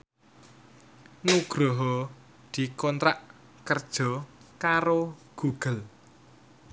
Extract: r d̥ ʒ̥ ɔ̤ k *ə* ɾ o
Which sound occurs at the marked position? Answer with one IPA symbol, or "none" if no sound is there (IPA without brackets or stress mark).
a